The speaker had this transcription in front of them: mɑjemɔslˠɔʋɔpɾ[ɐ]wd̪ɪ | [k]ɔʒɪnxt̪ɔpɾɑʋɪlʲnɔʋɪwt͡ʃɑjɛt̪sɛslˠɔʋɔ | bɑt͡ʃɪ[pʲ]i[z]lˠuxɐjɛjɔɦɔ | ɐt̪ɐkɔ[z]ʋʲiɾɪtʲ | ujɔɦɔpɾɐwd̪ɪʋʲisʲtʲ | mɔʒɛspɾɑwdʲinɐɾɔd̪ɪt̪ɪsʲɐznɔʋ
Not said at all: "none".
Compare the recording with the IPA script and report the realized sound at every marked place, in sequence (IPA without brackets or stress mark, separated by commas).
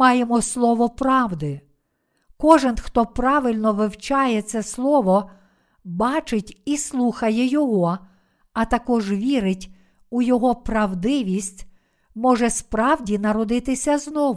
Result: ɑ, k, tʲ, s, ʒ